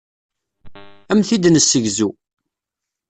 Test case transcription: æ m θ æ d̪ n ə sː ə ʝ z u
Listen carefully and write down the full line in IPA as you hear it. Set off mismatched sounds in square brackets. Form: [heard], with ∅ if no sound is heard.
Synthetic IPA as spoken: æ m θ [i] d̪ n ə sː ə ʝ z u